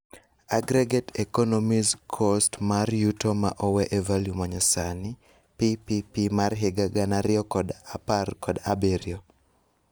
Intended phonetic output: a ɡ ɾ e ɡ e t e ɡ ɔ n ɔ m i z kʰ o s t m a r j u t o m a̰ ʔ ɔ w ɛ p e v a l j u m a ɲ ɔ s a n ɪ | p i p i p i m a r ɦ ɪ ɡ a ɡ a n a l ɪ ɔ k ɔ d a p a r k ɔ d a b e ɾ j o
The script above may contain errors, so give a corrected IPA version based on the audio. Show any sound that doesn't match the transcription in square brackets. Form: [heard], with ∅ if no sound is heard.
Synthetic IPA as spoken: a ɡ ɾ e ɡ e t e [k] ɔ n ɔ m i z kʰ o s t m a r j u t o m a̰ ʔ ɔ w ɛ [ʔ] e v a l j u m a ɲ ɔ s a n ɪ | p i p i p i m a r ɦ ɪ ɡ a ɡ a n a [ɾ] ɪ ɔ k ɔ d a p a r k ɔ d a b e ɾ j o